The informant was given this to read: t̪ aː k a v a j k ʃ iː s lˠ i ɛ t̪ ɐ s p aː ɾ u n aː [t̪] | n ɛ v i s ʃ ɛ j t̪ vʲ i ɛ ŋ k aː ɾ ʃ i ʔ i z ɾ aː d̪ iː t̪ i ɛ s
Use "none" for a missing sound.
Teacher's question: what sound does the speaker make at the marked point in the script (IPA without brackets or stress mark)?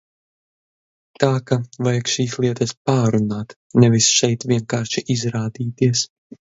t̪